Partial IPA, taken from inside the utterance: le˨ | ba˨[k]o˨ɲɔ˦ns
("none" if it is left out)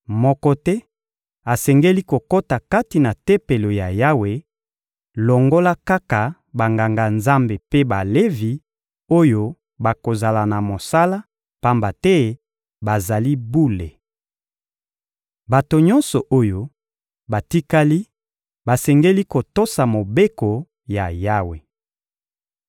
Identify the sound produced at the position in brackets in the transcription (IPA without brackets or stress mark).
t